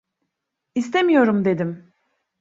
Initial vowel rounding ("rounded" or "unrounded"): unrounded